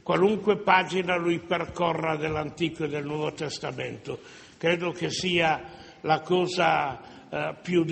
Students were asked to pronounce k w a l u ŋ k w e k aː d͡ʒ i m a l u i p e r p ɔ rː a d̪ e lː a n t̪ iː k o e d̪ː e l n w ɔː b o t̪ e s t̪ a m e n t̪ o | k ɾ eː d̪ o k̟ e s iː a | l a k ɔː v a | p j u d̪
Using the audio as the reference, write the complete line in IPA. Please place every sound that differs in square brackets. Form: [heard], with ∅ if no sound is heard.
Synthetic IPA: k w a l u ŋ k w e [p] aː d͡ʒ i [n] a l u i p e r [k] ɔ rː a d̪ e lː a n t̪ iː k o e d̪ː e l n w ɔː [v] o t̪ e s t̪ a m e n t̪ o | k ɾ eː d̪ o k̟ e s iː a | l a k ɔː [z] a | p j u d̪